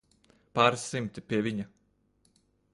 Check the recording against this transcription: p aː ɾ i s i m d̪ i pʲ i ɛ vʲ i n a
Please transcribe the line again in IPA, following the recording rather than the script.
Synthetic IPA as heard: p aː ɾ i s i m t̪ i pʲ i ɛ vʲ i ɲ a

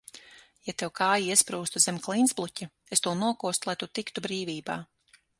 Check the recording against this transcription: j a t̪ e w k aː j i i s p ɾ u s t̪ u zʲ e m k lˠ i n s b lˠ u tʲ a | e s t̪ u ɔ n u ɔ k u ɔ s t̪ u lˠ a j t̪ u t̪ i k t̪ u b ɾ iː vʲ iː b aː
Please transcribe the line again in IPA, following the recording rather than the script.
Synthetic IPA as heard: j a t̪ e w k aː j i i s p ɾ uː s t̪ u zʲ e m k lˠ i n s b lˠ u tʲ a | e s t̪ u ɔ n u ɔ k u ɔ s t̪ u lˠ a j t̪ u t̪ i k t̪ u b ɾ iː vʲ iː b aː

